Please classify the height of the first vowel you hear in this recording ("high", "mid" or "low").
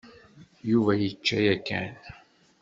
high